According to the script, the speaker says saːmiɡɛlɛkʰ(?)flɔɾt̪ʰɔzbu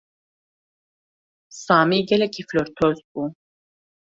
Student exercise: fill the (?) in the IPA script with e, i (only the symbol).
i